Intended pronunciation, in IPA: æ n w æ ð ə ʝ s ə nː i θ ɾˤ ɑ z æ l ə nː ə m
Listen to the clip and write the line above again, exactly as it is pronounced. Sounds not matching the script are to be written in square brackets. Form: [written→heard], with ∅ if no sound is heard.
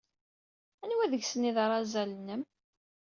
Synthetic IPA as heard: æ n w æ ð ə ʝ s ə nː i [θ→ð] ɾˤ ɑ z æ l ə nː ə m